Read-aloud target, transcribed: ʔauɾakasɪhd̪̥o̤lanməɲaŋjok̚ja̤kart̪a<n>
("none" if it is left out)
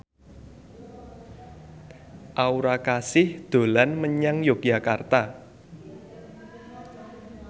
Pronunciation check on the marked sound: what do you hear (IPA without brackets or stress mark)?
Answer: none